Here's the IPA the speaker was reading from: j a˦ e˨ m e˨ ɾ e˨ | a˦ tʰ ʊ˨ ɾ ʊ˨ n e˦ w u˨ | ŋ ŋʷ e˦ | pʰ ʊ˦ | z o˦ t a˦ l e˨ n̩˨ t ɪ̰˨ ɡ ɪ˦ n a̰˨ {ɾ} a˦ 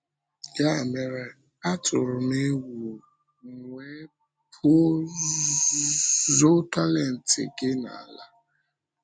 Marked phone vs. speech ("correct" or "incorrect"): incorrect